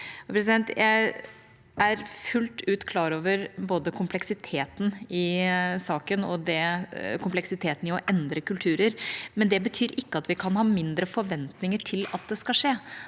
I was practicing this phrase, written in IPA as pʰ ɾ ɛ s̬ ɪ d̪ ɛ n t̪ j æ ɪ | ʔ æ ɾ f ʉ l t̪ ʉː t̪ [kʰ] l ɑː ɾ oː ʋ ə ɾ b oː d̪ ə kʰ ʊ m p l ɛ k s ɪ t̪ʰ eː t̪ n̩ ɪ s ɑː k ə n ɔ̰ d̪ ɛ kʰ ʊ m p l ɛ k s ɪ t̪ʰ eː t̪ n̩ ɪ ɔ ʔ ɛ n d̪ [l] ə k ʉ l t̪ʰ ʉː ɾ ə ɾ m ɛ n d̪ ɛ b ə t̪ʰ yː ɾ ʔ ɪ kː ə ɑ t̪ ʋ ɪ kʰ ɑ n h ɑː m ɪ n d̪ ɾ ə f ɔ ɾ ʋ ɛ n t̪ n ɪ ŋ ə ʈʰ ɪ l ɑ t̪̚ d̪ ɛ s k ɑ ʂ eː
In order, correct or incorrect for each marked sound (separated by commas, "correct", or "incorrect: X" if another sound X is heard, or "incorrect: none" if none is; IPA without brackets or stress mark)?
correct, incorrect: ɾ